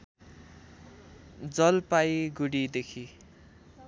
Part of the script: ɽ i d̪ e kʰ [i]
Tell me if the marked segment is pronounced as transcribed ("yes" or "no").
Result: yes